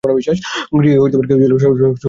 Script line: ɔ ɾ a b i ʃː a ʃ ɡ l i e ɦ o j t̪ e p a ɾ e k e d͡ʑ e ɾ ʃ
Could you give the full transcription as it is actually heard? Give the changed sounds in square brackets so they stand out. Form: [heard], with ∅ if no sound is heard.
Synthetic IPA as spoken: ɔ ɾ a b i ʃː a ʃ ɡ [ɾ] i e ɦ o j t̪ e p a ɾ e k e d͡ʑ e [l] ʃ